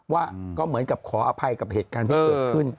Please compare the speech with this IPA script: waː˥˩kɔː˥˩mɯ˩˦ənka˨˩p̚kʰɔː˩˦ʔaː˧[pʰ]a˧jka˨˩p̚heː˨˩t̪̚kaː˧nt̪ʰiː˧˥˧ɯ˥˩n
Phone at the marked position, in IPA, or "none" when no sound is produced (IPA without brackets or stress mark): pʰ